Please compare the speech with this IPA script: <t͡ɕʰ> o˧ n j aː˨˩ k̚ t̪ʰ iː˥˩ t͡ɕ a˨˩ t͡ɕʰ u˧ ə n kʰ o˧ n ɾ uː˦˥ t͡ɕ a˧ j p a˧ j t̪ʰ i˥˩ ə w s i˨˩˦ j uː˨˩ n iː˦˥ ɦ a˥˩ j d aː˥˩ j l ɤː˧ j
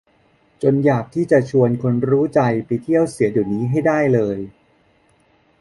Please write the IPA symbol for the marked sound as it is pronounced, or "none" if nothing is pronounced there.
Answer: t͡ɕ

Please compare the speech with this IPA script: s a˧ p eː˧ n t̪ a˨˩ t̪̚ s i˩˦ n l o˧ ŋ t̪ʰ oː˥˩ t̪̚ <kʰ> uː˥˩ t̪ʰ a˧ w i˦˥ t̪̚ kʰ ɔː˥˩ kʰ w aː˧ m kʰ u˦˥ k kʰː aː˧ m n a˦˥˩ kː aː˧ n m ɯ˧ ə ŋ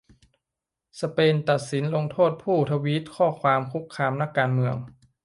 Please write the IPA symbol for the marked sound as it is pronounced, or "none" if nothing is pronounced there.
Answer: pʰ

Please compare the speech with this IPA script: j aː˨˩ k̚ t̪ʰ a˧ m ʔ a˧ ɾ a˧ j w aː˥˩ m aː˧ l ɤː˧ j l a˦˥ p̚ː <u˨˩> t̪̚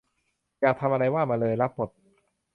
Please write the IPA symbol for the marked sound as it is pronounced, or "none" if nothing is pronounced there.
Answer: o˨˩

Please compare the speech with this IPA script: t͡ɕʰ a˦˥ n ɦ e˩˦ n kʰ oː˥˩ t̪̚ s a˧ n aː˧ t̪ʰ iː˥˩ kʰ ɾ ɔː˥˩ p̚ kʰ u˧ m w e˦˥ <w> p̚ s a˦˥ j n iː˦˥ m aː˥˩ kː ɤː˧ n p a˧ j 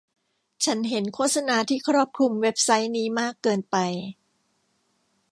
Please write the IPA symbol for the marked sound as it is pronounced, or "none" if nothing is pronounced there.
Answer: none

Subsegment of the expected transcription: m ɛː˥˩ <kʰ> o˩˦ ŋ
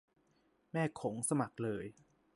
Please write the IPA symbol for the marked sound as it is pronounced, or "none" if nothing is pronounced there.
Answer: kʰ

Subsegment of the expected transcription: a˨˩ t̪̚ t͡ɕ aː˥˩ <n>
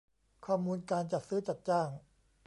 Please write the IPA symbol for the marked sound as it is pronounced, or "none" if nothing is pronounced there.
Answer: ŋ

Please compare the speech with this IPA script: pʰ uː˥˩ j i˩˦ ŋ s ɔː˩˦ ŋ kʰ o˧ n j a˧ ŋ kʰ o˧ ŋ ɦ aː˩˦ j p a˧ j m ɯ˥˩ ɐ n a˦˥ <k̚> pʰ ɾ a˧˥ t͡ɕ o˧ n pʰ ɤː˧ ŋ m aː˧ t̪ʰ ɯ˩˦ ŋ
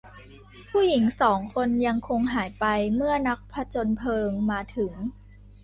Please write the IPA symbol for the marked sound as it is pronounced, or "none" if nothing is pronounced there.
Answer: k̚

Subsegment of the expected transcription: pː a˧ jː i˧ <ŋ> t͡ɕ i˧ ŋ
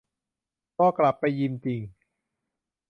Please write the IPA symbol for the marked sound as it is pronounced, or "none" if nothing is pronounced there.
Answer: n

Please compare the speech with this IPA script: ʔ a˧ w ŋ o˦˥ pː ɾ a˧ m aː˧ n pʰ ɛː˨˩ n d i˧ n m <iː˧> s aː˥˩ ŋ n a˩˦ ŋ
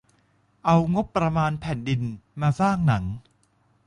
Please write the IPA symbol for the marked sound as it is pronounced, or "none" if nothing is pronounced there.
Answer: aː˧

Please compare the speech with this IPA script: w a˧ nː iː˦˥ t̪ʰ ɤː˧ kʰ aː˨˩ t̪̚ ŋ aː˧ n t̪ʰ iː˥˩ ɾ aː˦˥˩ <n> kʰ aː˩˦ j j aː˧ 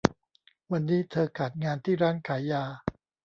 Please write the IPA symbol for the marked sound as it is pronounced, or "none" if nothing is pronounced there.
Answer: ŋ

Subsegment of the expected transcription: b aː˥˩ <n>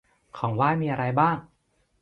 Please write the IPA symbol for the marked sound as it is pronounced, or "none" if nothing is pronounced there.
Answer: ŋ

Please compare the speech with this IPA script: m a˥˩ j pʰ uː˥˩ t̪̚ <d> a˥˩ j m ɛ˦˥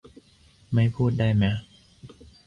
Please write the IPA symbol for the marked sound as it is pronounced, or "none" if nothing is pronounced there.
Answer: d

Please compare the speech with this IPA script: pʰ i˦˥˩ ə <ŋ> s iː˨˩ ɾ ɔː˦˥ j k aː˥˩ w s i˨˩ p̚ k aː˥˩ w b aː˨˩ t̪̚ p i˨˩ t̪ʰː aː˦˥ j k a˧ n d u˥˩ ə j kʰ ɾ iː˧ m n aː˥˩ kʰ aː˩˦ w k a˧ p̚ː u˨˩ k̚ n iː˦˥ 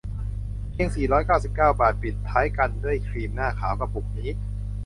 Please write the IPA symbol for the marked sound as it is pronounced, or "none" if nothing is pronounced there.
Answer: ŋ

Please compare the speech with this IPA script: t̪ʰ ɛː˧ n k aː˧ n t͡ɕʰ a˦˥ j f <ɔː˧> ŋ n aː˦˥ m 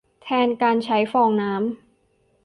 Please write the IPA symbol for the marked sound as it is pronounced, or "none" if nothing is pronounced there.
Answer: ɔː˧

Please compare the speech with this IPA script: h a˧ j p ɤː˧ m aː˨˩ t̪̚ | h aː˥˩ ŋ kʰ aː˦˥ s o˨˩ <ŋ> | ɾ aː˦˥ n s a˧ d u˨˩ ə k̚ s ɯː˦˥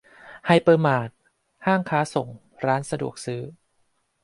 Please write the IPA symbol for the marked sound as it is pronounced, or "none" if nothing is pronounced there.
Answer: ŋ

